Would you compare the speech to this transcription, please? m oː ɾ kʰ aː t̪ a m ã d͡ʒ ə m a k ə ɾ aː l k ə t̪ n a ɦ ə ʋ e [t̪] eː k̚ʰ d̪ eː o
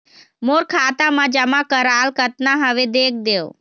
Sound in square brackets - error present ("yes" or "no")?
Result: yes